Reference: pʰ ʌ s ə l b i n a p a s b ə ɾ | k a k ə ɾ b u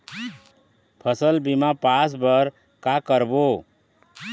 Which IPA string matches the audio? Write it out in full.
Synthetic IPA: pʰ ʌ s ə l b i m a p a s b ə ɾ | k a k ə ɾ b o

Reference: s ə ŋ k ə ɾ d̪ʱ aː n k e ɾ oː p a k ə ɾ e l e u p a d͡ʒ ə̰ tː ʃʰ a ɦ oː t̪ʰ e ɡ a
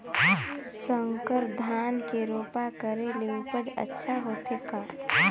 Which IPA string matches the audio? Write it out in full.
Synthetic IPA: s ə ŋ k ə ɾ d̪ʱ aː n k e ɾ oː p a k ə ɾ e l e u p ə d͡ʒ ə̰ tː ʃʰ a ɦ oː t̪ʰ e k a

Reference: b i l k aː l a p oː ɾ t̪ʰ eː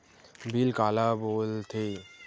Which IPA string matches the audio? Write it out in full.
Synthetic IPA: b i l k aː l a b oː l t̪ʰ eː

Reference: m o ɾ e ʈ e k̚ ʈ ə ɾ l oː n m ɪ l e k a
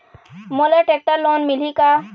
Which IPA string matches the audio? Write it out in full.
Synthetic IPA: m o l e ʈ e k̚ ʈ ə ɾ l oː n m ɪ l i k a

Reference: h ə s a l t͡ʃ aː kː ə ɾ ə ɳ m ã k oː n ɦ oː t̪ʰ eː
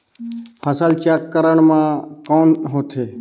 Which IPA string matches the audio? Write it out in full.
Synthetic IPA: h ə s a l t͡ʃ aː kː ə ɾ ə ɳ m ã k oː n ɦ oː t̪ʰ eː

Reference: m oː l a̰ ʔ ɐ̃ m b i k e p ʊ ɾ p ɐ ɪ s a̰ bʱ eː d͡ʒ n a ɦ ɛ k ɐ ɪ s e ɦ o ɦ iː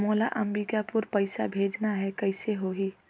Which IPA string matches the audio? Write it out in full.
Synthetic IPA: m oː l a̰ ʔ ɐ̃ m b i k a p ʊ ɾ p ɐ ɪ s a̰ bʱ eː d͡ʒ n a ɦ ɛ k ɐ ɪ s e ɦ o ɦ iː

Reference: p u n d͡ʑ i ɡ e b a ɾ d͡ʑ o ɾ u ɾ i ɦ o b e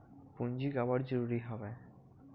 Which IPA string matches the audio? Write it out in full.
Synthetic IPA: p u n d͡ʑ i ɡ a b a ɾ d͡ʑ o ɾ u ɾ i ɦ ɔ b e

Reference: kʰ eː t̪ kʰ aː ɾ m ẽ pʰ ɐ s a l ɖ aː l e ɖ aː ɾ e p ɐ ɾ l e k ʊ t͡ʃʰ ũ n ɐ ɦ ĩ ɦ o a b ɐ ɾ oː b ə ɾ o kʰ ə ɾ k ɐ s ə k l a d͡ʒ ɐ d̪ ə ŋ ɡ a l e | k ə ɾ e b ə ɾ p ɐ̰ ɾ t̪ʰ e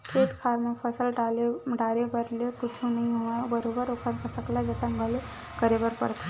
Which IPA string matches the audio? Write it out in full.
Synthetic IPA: kʰ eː t̪ kʰ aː ɾ m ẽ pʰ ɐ s ə l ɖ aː l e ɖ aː ɾ e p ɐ ɾ l e k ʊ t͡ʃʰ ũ n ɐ ɦ ĩ ɦ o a b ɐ ɾ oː b ə ɾ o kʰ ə ɾ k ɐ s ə k l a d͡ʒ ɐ t̪ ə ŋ ɡ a l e | k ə ɾ e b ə ɾ p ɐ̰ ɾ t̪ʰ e

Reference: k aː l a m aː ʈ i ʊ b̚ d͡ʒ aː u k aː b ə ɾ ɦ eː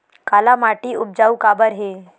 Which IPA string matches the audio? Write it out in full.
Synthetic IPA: k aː l a m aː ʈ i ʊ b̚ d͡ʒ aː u k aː b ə ɾ ɦ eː

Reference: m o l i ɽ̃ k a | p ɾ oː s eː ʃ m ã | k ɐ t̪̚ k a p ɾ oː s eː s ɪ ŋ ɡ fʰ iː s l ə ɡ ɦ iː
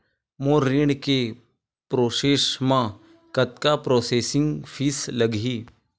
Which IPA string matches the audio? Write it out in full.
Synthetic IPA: m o ɾ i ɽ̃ k e | p ɾ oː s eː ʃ m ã | k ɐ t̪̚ k a p ɾ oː s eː s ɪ ŋ ɡ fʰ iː s l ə ɡ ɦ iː

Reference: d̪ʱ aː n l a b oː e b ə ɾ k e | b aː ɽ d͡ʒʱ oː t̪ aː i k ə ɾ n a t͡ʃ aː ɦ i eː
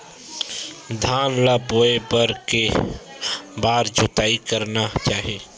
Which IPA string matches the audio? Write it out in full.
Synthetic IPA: d̪ʱ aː n l a b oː e b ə ɾ k e | b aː ɾ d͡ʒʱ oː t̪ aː i k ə ɾ n a t͡ʃ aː ɦ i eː

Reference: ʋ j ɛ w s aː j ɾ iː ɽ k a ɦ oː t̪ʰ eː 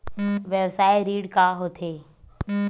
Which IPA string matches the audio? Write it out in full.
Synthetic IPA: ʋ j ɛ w s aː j ɾ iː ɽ k a ɦ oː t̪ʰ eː

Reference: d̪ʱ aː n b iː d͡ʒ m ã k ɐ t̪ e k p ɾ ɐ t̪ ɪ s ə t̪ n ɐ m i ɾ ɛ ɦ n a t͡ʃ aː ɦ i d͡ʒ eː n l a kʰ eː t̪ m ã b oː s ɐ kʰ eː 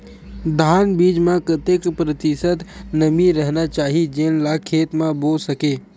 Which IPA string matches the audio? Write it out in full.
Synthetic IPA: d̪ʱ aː n b iː d͡ʒ m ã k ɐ t̪ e k p ɾ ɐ t̪ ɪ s ə t̪ n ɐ m i ɾ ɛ ɦ n a t͡ʃ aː ɦ i d͡ʒ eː n l a kʰ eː t̪ m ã b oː s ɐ k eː

